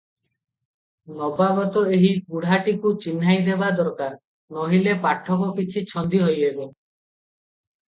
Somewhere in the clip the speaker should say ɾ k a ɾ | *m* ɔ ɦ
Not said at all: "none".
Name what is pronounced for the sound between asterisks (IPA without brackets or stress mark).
n